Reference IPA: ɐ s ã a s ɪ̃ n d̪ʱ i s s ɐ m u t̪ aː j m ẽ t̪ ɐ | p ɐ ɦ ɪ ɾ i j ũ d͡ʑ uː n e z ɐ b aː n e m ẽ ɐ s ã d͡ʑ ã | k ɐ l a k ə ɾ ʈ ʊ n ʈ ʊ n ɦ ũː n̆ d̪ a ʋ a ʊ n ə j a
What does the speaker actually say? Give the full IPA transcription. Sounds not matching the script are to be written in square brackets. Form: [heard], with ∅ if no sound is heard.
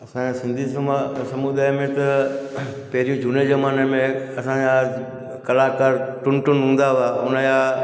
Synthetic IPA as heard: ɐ s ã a s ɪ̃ n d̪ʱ i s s ɐ m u [d̪] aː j m ẽ t̪ ɐ | p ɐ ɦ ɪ ɾ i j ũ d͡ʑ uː n e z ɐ [m] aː n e m ẽ ɐ s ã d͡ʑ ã | k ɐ l a k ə ɾ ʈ ʊ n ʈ ʊ n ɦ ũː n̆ d̪ a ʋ a ʊ n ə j a